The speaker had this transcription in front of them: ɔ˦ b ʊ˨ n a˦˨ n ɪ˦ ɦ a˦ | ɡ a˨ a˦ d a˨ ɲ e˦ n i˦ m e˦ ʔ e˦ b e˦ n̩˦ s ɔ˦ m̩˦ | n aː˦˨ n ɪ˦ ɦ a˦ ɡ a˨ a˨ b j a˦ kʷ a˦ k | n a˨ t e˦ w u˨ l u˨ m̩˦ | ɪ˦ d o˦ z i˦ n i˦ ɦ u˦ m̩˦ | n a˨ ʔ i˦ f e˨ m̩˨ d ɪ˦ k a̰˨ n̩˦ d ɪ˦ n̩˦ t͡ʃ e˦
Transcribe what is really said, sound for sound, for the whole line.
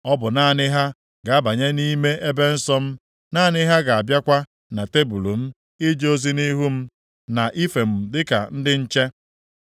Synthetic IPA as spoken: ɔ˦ b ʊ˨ n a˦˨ n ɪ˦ ɦ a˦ | ɡ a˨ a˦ b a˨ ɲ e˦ n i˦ m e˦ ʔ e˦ b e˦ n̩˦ s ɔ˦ m̩˦ | n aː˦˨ n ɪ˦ ɦ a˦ ɡ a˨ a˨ b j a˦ kʷ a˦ | n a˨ t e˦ b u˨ l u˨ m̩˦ | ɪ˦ d͡ʒ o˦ z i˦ n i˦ ɦ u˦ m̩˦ | n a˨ ʔ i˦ f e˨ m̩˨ d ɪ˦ k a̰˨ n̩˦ d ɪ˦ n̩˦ t͡ʃ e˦